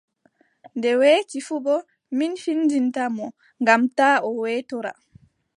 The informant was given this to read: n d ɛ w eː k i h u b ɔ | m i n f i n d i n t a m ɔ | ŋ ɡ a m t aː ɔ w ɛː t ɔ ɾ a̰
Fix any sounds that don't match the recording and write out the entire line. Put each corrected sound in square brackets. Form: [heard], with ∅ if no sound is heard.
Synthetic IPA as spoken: n d ɛ w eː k i [f] u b ɔ | m i n f i n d i n t a m ɔ | ŋ ɡ a m t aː ɔ w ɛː t ɔ ɾ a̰